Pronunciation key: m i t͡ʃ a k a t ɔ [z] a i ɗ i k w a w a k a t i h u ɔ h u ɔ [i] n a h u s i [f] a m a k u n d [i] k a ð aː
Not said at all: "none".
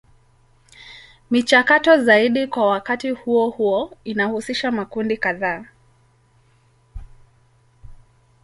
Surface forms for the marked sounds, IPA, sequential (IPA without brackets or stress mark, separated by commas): z, i, ʃ, i